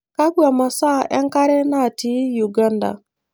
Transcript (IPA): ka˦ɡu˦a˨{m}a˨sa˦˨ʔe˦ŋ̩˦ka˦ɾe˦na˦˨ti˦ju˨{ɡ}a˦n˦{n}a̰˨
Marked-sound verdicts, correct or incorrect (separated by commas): correct, correct, incorrect